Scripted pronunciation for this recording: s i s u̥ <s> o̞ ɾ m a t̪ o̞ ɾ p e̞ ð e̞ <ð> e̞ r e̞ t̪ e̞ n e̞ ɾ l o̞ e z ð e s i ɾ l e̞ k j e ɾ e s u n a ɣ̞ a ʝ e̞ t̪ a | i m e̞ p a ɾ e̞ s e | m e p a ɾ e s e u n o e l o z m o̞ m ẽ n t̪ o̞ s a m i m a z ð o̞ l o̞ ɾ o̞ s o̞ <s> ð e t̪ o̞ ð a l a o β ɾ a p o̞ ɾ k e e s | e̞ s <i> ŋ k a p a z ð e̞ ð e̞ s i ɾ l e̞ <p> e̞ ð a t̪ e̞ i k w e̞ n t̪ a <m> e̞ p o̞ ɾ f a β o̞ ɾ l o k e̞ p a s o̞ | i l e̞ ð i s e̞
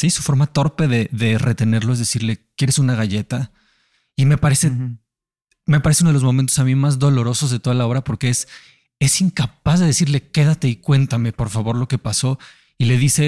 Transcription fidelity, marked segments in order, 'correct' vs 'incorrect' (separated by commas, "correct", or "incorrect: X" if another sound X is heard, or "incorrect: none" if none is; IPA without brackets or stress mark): incorrect: f, correct, incorrect: z, correct, incorrect: k, correct